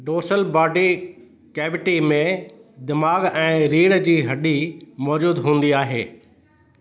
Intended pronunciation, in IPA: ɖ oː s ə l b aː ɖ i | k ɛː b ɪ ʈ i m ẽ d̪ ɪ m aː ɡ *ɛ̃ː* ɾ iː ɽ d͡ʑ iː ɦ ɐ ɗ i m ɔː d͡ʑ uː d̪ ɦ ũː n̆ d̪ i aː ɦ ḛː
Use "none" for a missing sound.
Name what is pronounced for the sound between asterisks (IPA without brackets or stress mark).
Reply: ɛ̃ː